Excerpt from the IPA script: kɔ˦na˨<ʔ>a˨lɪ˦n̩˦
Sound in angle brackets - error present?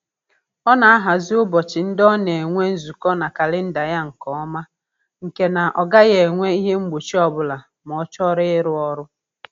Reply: yes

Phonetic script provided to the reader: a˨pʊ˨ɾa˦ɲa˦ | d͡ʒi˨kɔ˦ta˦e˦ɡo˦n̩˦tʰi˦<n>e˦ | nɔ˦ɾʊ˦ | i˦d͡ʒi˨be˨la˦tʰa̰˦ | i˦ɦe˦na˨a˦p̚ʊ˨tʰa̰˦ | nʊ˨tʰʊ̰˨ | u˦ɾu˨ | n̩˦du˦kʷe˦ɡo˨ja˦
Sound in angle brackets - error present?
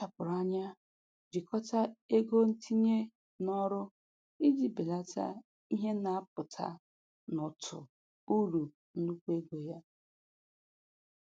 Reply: yes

